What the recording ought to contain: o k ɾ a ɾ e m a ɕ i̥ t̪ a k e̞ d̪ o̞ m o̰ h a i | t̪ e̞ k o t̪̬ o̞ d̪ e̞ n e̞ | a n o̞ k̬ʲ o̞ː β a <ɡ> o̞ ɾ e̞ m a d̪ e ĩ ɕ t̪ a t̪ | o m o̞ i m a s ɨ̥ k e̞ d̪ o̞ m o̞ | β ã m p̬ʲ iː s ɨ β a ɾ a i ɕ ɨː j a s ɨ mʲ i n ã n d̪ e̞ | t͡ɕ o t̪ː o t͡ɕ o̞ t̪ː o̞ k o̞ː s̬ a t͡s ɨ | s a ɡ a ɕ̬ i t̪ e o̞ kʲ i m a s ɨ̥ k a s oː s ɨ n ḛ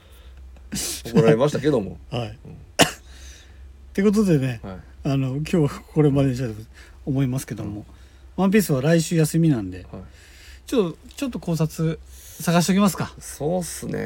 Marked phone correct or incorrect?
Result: incorrect